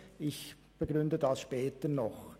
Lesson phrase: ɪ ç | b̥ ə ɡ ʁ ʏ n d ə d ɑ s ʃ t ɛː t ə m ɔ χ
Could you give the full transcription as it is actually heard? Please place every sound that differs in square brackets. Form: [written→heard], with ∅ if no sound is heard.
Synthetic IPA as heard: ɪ ç | b̥ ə ɡ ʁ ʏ n d ə d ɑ s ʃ [t→p] ɛː t ə [m→n] ɔ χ